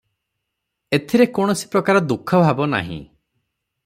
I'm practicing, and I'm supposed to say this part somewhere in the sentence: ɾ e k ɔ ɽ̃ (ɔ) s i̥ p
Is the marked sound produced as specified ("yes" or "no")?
yes